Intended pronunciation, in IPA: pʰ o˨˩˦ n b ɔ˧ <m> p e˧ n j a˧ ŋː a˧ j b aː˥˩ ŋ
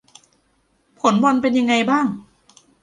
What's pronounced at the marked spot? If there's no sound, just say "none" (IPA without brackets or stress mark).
n